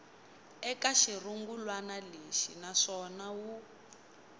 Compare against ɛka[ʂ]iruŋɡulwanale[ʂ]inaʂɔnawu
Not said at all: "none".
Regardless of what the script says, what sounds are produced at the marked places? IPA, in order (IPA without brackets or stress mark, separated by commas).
ʃ, ʃ